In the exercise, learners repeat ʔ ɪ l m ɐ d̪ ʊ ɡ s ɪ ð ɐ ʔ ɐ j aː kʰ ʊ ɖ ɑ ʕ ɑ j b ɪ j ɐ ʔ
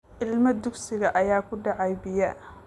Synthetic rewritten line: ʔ ɪ l m ɐ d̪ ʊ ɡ s ɪ ɣ ɐ ʔ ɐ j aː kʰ ʊ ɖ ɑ ʕ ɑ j b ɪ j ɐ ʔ